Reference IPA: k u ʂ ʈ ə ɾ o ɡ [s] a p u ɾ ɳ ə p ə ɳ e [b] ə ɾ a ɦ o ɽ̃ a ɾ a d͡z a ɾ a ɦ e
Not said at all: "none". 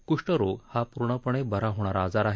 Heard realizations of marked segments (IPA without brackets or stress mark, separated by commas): h, b